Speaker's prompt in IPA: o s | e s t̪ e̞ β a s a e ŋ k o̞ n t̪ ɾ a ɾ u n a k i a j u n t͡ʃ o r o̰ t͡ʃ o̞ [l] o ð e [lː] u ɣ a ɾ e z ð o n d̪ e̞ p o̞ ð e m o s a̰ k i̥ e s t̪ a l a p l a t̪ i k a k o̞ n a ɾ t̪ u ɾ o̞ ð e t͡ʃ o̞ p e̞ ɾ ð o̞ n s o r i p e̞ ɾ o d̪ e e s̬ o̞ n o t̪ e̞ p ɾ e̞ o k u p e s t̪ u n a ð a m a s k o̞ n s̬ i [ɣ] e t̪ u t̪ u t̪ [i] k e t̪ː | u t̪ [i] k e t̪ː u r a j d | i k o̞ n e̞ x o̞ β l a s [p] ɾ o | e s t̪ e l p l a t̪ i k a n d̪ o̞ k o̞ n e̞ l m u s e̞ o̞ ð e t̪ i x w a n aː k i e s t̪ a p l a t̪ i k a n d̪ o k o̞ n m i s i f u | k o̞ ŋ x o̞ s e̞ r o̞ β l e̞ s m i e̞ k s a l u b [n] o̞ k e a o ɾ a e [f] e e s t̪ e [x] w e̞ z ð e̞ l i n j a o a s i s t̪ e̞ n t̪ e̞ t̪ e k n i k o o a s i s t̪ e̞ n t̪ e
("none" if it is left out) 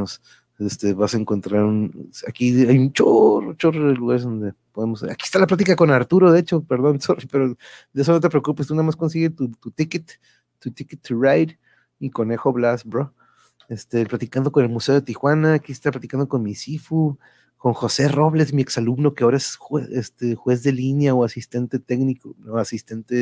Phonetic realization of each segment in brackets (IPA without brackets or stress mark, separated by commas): r, l, ɣ, i, i, b, n, s, x